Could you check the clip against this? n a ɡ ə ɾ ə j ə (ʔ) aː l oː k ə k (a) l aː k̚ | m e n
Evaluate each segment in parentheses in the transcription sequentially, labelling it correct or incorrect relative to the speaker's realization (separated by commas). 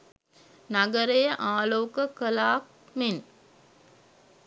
correct, incorrect